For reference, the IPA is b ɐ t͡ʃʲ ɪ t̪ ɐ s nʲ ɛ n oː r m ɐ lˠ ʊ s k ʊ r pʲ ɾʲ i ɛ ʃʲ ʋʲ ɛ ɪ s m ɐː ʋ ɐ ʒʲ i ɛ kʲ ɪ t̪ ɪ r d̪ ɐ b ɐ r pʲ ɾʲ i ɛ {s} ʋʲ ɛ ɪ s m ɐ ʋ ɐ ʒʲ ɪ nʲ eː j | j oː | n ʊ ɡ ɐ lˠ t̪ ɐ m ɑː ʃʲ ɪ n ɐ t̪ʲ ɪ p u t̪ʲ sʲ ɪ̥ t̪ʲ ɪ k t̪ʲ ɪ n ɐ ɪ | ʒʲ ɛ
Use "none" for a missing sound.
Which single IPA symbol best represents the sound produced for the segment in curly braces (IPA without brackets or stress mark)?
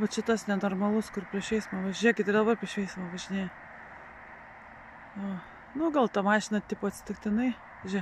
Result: ʃ